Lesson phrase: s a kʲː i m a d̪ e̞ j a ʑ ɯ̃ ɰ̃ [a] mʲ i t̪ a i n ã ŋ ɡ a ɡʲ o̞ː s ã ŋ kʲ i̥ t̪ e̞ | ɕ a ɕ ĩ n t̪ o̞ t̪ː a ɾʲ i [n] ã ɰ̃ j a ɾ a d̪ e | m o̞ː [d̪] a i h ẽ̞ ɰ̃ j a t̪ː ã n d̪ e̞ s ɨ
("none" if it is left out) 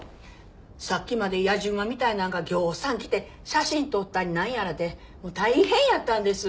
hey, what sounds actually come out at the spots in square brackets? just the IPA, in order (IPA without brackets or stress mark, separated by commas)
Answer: a, n, t̪